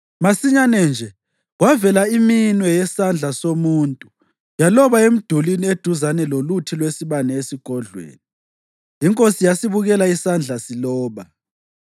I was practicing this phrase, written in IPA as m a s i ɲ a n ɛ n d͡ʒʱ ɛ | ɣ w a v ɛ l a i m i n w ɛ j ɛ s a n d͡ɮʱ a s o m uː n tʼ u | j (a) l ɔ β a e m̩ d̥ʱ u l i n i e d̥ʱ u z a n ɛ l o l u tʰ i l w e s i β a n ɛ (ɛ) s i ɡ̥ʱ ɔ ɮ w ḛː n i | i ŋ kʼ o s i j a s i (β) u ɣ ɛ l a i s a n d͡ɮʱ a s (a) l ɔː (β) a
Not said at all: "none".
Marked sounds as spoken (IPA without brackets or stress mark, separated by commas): a, e, β, i, β